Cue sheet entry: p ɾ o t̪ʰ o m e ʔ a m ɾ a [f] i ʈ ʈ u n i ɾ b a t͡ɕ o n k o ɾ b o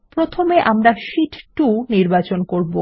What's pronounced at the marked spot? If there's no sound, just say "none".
ʃ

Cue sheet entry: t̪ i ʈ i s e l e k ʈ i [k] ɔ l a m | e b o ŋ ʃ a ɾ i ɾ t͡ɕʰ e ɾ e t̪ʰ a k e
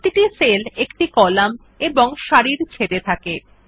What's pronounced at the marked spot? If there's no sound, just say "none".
k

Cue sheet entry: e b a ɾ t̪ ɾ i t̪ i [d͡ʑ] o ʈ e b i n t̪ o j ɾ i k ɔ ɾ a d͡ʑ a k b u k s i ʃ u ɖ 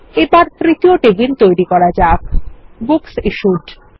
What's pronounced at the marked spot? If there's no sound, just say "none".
none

